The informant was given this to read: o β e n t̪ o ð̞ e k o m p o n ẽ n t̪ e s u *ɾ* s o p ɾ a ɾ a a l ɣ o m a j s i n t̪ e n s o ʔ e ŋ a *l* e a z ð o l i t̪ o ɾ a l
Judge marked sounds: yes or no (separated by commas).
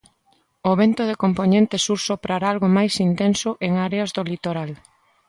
yes, no